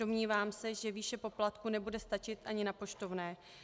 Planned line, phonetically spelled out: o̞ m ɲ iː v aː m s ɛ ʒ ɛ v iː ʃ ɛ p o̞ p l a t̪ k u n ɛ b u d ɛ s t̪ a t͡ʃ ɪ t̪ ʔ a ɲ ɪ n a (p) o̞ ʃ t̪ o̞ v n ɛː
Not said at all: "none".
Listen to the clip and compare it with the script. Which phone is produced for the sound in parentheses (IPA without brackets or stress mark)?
p